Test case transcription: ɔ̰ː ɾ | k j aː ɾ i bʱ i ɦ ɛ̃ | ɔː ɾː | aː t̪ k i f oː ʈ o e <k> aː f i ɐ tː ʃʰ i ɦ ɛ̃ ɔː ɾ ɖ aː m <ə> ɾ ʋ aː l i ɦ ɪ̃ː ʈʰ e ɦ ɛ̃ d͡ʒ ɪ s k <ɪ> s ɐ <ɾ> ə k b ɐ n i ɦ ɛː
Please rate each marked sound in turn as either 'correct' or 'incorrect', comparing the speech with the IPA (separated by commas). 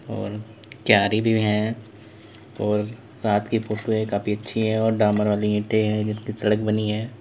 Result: correct, correct, incorrect, incorrect